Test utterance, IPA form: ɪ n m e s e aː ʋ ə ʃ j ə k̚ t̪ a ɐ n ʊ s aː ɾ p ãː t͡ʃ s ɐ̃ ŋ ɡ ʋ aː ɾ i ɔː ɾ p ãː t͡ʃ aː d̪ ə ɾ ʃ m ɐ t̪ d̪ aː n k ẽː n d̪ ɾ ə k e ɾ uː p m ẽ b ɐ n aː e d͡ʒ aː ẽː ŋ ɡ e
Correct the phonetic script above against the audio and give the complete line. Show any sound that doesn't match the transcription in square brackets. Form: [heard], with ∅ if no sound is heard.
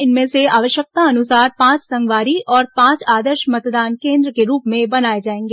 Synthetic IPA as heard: ɪ n m [ẽ] s e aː ʋ ə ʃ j ə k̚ t̪ a ɐ n ʊ s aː ɾ p ãː t͡ʃ s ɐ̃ ŋ ɡ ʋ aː ɾ i ɔː ɾ p ãː t͡ʃ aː d̪ ə ɾ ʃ m ɐ t̪ d̪ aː n k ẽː n d̪ ɾ ə k e ɾ uː p m ẽ b ɐ n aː e d͡ʒ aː ẽː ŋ ɡ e